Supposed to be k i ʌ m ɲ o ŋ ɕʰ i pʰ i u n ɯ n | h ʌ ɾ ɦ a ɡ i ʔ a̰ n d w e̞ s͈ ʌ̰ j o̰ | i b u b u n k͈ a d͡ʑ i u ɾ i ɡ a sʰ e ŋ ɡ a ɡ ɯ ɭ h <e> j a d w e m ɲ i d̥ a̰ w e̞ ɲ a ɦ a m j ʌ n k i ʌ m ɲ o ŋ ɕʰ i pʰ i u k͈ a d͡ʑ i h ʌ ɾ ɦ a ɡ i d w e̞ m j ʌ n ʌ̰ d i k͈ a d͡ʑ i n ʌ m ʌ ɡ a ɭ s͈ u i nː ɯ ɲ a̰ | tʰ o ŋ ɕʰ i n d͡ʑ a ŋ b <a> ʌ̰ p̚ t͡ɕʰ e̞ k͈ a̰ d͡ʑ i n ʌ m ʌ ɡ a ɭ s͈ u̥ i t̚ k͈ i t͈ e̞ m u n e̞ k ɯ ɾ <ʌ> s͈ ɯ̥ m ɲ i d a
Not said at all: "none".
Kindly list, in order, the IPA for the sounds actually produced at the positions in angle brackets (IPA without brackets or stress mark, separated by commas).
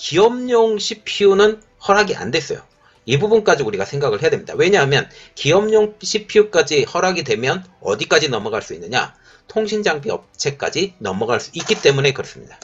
e, i, ʌ